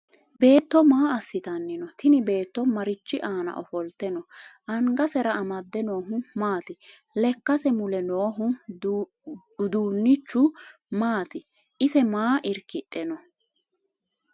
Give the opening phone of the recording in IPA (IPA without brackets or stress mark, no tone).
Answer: b